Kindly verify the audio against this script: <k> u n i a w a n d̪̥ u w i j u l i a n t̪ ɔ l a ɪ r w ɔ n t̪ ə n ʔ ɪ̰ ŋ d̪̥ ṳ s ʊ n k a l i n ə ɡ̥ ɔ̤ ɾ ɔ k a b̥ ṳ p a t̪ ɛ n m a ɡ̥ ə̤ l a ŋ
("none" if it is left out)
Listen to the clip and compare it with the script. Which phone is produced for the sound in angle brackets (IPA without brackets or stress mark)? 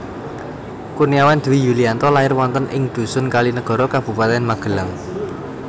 k